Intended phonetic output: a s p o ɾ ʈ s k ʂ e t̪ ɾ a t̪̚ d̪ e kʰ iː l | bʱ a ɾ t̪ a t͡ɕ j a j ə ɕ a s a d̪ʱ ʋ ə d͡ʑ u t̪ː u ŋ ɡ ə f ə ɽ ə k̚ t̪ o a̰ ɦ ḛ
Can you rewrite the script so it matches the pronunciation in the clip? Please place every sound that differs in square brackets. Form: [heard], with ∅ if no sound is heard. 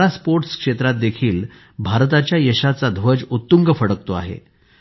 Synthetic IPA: a s p o ɾ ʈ s k ʂ e t̪ ɾ a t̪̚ d̪ e kʰ iː l | bʱ a ɾ t̪ a t͡ɕ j a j ə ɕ a [t͡s] a d̪ʱ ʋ ə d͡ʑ u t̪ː u ŋ ɡ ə f ə ɽ ə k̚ t̪ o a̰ ɦ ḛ

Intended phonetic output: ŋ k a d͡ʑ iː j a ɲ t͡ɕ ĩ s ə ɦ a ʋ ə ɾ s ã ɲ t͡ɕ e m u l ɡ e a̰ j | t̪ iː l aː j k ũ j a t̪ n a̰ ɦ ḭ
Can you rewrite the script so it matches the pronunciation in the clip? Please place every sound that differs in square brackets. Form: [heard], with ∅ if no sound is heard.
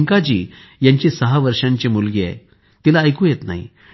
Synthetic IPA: ŋ k a d͡ʑ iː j a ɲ t͡ɕ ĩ s ə ɦ a ʋ ə ɾ [ʂ] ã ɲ t͡ɕ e m u l ɡ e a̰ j | t̪ [i] l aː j k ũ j [e] t̪ n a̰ ɦ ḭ

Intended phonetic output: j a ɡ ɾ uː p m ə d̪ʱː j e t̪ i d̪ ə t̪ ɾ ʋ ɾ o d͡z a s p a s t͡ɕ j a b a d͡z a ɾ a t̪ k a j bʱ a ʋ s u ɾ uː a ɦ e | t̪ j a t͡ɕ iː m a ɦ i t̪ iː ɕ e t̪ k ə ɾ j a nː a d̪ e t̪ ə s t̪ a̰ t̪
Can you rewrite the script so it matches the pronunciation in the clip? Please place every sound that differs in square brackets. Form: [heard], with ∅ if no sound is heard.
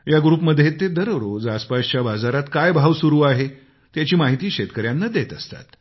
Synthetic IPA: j a ɡ ɾ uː p m ə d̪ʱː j e t̪ [e] d̪ ə [∅] ɾ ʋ ɾ o d͡z a s p a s t͡ɕ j a b a d͡z a ɾ a t̪ k a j bʱ a ʋ s u ɾ uː a ɦ e | t̪ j a t͡ɕ iː m a ɦ i t̪ iː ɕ e t̪ k ə ɾ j a nː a d̪ e t̪ ə s t̪ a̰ t̪

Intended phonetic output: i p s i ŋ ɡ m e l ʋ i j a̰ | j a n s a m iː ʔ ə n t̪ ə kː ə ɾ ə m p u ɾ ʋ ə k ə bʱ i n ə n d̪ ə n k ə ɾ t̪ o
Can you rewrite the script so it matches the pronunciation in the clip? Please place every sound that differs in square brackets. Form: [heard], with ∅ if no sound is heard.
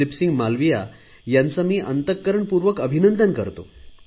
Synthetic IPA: i p s i ŋ ɡ m [a] l ʋ i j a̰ | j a n [t͡s] a m iː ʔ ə n t̪ ə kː ə ɾ ə [ɳ] p u ɾ ʋ ə k ə bʱ i n ə n d̪ ə n k ə ɾ t̪ o

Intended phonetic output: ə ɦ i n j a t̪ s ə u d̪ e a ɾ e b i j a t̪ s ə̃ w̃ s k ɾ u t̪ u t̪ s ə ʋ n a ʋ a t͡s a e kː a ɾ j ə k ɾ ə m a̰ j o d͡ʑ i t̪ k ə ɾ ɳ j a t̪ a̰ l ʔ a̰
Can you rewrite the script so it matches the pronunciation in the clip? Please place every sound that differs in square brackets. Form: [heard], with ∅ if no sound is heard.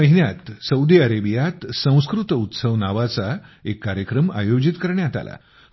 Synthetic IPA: ə ɦ i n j a t̪ s ə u d̪ [i] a ɾ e b i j a t̪ s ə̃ w̃ s k ɾ u t̪ u t̪ s ə ʋ n a ʋ a t͡s a e kː a ɾ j ə k ɾ ə m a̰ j o d͡ʑ i t̪ k ə ɾ ɳ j a t̪ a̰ l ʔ a̰

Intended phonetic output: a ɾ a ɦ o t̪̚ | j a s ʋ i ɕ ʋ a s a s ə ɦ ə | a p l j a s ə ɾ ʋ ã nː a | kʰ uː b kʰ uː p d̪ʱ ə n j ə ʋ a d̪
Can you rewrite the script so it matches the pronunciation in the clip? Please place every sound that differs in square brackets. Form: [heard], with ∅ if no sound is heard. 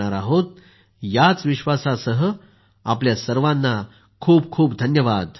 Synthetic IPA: a ɾ a ɦ o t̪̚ | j a [t͡s] ʋ i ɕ ʋ a s a s ə ɦ ə | a p l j a s ə ɾ ʋ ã nː a | kʰ uː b kʰ uː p d̪ʱ ə n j ə ʋ a d̪

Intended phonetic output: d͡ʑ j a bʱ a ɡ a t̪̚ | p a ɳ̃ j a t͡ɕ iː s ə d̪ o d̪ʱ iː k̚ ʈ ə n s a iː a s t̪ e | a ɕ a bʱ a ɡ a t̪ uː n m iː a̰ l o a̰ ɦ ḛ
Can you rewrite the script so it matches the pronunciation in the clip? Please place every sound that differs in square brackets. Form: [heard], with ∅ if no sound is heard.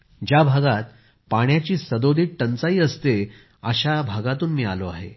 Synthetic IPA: d͡ʑ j a bʱ a ɡ a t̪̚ | p a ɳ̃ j a t͡ɕ iː s ə d̪ o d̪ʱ iː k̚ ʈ ə n [t͡s] a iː [ə] s t̪ e | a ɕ a bʱ a ɡ a t̪ uː n m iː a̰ l o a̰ ɦ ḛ

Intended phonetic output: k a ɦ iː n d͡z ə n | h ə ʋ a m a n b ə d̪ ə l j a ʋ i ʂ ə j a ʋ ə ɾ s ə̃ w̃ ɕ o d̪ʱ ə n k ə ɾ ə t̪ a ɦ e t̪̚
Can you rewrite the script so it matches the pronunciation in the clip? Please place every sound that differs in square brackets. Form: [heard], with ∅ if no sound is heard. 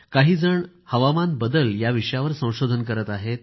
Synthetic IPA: k a ɦ iː [∅] d͡z ə [ɳ] | h ə ʋ a m a n b ə d̪ ə l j a ʋ i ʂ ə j a ʋ ə ɾ s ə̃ w̃ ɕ o d̪ʱ ə n k ə ɾ ə t̪ a ɦ e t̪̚

